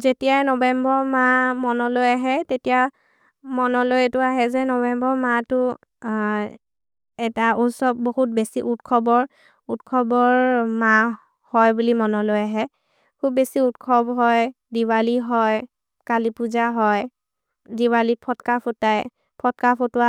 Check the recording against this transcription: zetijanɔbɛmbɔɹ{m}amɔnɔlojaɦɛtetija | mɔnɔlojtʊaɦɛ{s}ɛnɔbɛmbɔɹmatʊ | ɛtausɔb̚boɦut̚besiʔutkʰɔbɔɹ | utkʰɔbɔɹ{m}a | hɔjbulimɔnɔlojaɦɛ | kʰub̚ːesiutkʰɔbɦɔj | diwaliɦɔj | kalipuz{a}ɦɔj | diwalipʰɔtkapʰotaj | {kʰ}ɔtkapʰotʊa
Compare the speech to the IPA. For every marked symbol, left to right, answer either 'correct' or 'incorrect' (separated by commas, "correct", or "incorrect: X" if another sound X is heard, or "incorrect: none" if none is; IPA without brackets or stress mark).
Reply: correct, incorrect: z, correct, correct, incorrect: pʰ